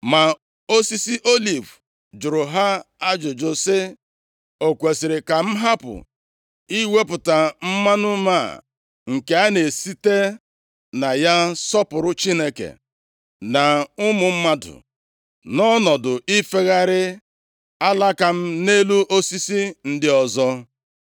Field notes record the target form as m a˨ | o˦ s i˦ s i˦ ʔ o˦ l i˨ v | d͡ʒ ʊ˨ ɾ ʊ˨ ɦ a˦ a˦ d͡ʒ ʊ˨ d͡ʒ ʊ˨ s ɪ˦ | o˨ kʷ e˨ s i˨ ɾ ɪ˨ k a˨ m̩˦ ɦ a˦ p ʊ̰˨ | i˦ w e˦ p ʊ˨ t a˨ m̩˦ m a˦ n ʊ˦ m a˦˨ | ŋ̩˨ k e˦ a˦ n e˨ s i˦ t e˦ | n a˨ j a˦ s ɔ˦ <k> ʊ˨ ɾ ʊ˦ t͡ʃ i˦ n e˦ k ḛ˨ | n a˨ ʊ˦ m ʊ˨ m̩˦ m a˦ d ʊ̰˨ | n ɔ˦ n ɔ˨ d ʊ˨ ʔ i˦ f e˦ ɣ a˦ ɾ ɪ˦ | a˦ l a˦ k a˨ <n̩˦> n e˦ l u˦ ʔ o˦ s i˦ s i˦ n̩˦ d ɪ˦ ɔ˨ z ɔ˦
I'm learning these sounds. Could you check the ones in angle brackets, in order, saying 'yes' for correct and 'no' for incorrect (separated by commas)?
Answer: no, no